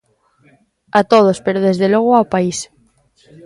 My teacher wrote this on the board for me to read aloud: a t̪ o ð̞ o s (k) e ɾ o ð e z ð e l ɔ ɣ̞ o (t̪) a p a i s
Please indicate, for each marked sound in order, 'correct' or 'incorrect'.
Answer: incorrect: p, incorrect: none

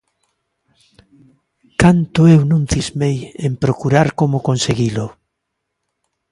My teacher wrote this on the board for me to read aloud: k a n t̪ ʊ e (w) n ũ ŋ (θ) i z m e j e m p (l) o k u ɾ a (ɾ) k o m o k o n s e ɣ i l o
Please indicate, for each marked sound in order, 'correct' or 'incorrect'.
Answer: correct, correct, incorrect: ɾ, correct

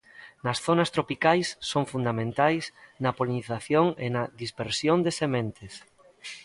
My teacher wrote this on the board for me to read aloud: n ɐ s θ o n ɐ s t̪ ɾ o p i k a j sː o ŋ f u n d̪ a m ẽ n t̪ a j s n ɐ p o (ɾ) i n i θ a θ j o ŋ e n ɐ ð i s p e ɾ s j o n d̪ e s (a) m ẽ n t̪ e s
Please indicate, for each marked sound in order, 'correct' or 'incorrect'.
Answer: incorrect: l, incorrect: e

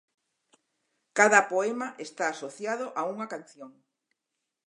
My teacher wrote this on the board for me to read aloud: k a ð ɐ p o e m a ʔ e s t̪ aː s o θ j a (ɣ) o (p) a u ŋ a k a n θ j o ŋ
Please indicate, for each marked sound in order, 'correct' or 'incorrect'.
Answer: incorrect: ð, incorrect: ʔ

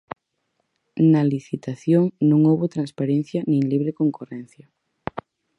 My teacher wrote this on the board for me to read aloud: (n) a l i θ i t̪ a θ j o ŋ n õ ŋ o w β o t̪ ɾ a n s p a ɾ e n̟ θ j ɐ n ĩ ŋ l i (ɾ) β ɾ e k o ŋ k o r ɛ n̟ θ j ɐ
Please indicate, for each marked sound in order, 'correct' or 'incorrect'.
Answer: correct, incorrect: none

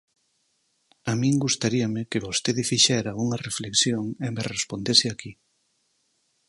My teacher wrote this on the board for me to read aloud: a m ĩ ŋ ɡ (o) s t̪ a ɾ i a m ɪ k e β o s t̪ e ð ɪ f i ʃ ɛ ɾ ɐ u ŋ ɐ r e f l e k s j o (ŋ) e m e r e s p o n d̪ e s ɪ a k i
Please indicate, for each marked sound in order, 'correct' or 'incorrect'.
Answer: incorrect: u, correct

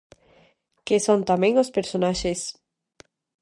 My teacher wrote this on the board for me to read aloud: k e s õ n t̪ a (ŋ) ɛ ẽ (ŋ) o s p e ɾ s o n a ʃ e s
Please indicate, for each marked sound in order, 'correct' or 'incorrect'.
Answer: incorrect: m, correct

